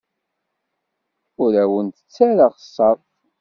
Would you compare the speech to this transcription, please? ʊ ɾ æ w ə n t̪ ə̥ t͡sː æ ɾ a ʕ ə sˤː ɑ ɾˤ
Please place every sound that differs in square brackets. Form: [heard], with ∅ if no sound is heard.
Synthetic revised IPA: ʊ ɾ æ w ə n t̪ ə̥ t͡sː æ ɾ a [ʁ] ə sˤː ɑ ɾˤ